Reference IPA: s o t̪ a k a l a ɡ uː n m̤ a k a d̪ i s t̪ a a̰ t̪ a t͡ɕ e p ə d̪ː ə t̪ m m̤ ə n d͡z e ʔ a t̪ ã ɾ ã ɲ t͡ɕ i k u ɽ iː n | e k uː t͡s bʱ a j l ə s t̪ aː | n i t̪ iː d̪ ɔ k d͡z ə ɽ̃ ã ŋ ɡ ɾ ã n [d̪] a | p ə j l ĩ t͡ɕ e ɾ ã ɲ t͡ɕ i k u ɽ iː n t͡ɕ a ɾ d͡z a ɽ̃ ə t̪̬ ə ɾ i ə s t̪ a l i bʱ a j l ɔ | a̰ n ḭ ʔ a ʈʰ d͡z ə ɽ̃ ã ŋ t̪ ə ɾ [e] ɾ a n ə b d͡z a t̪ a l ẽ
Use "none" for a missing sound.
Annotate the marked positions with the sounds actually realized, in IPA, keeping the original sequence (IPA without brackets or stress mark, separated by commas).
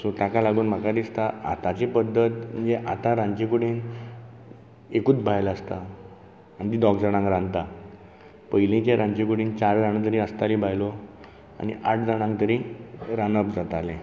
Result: t̪, i